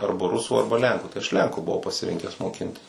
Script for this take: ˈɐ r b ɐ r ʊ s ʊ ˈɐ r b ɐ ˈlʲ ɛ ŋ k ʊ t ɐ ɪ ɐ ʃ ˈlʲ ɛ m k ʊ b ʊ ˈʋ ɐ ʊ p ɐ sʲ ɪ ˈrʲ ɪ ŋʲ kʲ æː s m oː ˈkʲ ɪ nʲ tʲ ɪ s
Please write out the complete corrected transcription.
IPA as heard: ˈɐ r b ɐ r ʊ s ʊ ˈɐ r b ɐ ˈlʲ ɛ ŋ k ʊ t ɐ ɪ ɐ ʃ ˈlʲ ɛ ŋ k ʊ b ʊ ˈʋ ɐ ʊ p ɐ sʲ ɪ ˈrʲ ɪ ŋʲ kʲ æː s m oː ˈkʲ ɪ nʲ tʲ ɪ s